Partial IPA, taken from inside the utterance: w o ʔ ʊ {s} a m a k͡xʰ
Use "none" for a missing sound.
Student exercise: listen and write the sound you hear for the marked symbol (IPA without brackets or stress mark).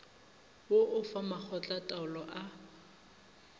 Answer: f